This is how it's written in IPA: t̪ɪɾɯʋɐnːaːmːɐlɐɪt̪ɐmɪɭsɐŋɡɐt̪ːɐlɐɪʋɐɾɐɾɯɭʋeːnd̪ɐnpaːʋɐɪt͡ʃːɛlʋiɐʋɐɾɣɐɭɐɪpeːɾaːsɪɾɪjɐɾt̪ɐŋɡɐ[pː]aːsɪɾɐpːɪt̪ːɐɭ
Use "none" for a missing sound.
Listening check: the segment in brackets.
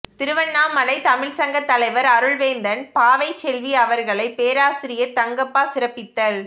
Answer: pː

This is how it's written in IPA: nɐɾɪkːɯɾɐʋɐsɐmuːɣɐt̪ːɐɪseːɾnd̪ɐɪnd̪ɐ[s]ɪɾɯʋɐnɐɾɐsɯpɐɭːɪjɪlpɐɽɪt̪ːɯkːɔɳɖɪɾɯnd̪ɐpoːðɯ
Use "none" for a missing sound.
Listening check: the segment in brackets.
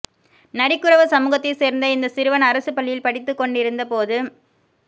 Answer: s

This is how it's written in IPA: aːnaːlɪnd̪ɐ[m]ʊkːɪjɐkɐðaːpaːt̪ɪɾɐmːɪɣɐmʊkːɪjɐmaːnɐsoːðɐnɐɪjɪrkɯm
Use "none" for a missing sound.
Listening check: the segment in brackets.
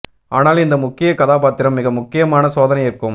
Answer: m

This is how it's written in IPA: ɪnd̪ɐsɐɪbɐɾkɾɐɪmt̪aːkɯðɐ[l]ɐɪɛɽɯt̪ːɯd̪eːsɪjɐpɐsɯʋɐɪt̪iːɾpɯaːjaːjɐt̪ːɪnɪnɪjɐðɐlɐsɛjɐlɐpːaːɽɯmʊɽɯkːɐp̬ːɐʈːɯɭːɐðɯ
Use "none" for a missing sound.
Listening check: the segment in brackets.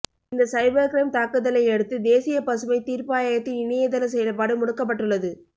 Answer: l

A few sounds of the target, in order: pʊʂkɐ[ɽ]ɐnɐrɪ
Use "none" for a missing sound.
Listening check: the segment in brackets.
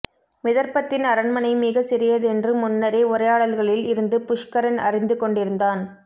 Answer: ɾ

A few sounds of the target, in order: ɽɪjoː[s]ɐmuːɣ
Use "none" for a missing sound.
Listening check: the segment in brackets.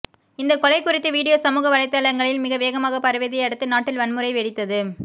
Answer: s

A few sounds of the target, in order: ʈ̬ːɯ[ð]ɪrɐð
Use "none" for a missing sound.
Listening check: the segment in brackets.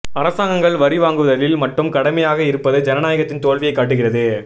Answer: ɣ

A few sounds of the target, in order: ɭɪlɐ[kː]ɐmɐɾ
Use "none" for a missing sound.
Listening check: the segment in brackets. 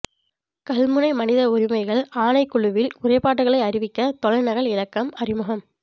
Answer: kː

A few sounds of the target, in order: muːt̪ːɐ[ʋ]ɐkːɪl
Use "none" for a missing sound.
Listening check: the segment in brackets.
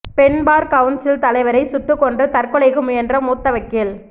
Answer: ʋ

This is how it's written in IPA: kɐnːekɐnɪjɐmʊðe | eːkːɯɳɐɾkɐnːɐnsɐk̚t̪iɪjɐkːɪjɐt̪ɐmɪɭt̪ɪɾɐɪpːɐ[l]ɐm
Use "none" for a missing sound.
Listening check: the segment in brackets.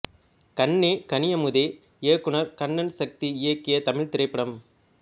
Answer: ɽ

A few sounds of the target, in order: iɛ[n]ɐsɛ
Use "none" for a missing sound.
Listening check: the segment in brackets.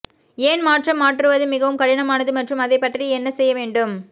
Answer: nː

